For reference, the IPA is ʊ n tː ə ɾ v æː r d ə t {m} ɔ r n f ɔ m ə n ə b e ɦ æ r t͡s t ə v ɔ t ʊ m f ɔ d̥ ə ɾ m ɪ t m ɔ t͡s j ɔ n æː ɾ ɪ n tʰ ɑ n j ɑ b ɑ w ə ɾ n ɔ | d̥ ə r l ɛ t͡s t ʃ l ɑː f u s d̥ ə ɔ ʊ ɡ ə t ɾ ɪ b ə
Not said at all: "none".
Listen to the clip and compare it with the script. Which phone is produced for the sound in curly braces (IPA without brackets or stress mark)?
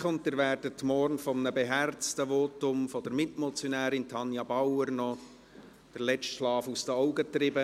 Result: m